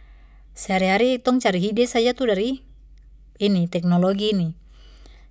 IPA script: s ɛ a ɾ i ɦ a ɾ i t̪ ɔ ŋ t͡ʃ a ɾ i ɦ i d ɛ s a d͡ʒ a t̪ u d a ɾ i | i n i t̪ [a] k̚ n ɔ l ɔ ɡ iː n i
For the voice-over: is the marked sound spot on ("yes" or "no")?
no